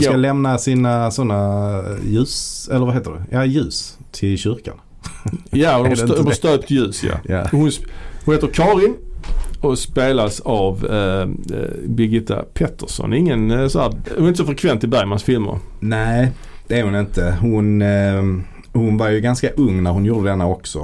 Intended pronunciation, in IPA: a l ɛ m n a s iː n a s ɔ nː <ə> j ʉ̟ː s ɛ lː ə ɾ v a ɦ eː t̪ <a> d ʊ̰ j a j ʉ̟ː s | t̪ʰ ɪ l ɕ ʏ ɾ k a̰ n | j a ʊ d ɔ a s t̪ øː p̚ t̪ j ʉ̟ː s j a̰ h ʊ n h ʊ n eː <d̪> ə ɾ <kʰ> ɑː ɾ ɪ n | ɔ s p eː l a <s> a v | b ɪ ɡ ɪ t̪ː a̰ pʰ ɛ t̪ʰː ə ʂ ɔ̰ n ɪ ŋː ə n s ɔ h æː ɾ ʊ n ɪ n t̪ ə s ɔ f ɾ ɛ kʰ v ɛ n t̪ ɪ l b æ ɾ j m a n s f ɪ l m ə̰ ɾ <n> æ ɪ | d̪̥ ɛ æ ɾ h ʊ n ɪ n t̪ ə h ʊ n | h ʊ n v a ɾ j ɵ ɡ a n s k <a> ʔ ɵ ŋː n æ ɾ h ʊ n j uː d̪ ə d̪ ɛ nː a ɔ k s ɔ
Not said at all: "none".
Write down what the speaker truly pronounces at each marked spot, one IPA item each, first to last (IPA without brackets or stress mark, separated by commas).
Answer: a, ə, t̪, kʰ, s, n, a